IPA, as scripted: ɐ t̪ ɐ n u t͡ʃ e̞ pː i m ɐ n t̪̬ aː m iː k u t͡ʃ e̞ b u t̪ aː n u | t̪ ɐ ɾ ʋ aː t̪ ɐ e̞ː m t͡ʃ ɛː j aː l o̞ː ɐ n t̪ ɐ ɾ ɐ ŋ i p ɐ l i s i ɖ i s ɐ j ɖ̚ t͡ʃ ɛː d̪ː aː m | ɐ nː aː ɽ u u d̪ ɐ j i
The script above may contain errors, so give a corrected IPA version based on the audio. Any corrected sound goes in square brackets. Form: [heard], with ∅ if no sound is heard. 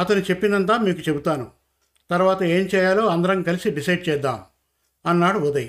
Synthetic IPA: ɐ t̪ ɐ n u t͡ʃ e̞ pː i [n] ɐ n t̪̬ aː m iː k u t͡ʃ e̞ b u t̪ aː n u | t̪ ɐ ɾ ʋ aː t̪ ɐ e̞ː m t͡ʃ ɛː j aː l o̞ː ɐ n [d̪] ɐ ɾ ɐ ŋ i [k] ɐ l i s i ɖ i s ɐ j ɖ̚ t͡ʃ ɛː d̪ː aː m | ɐ nː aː ɽ u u d̪ ɐ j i